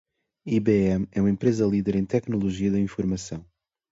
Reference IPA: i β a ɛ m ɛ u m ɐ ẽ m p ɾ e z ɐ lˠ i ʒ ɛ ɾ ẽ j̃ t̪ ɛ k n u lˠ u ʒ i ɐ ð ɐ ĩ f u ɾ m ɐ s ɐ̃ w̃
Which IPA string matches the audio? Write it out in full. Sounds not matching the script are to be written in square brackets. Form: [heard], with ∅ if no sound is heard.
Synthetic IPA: i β [e] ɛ m ɛ u m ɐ ẽ m p ɾ e z ɐ lˠ i [ð] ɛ ɾ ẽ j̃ t̪ ɛ k n u lˠ u ʒ i ɐ ð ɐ ĩ f u ɾ m ɐ s ɐ̃ w̃